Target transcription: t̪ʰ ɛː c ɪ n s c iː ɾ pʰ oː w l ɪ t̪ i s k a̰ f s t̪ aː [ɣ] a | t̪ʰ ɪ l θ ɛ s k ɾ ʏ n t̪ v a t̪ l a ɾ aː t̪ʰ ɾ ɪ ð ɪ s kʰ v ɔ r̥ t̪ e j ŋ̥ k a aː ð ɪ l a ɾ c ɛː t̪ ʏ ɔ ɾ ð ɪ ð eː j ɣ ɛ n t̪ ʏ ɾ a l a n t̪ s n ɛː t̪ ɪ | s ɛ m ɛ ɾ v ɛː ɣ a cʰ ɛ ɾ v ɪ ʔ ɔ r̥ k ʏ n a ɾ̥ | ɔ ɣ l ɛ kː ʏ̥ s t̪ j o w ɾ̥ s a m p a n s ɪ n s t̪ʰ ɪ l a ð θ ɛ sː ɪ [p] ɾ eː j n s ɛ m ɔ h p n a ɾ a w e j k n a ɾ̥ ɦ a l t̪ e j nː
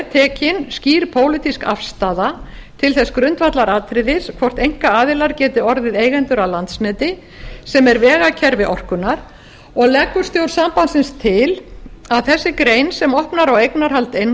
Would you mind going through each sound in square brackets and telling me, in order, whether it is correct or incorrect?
incorrect, incorrect

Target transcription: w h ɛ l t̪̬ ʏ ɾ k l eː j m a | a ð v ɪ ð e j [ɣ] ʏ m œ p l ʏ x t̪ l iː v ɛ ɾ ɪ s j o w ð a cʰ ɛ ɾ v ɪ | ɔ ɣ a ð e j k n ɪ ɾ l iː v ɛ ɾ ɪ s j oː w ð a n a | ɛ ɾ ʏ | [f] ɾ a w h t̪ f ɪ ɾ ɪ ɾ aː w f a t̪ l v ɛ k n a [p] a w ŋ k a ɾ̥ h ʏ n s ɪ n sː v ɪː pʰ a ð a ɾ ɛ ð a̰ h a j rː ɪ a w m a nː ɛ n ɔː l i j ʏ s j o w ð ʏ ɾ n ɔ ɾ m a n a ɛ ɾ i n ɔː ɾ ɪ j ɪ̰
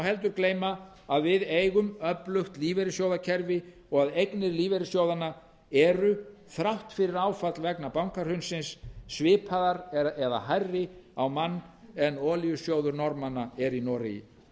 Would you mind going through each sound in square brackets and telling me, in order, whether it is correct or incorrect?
correct, incorrect, correct

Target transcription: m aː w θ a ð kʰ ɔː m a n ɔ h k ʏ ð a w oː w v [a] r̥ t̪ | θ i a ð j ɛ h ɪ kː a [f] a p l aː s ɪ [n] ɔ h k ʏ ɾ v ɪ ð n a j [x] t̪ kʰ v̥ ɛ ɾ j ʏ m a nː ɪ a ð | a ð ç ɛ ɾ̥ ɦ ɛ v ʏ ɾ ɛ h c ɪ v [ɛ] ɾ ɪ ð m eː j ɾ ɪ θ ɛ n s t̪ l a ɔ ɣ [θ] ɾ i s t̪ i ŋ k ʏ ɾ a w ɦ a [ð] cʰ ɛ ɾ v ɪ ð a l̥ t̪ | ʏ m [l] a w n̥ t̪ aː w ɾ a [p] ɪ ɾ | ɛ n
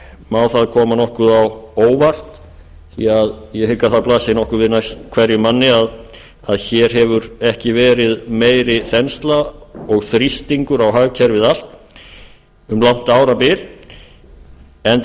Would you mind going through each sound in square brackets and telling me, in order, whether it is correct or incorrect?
correct, incorrect, correct, incorrect, incorrect, correct, incorrect, correct, correct

